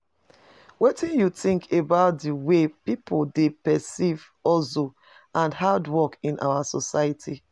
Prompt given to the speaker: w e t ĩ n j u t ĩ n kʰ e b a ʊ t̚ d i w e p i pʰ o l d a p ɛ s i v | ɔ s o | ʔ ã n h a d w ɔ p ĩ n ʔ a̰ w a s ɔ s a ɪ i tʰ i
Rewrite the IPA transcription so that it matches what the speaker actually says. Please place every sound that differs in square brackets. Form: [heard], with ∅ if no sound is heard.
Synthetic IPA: w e t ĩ n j u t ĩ [ŋ] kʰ e b a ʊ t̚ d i w e p i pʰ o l d [e] p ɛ s i v | ɔ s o | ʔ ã n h a d w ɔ [k] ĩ n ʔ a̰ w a s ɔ s a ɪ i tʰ i